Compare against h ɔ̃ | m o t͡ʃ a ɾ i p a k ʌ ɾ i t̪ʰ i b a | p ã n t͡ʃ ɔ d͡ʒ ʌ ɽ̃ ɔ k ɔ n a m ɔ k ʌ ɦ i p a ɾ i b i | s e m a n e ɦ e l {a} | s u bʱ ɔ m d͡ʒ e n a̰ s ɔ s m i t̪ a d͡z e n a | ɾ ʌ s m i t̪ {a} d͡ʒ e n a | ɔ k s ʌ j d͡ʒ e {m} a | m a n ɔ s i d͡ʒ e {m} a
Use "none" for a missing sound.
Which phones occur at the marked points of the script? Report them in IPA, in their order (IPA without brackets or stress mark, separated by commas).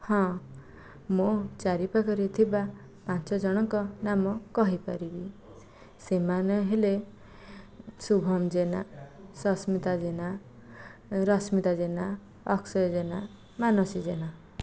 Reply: e, a, n, n